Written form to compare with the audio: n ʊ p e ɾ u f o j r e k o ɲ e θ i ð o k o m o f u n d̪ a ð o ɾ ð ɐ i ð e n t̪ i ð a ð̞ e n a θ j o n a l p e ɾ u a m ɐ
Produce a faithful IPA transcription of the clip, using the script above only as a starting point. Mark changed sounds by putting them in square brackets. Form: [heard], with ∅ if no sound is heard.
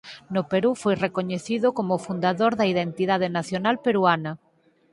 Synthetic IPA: n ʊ p e ɾ u f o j r e k o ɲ e θ i ð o k o m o f u n d̪ a ð o ɾ ð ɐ i ð e n t̪ i ð a ð̞ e n a θ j o n a l p e ɾ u a [n] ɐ